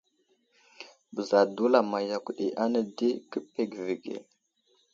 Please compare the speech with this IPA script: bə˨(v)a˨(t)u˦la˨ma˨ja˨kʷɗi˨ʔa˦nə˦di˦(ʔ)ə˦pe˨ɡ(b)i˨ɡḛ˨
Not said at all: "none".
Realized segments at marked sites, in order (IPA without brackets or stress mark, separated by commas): z, d, k, v